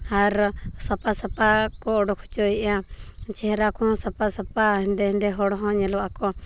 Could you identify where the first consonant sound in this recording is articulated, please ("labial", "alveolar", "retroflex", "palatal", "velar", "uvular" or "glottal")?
alveolar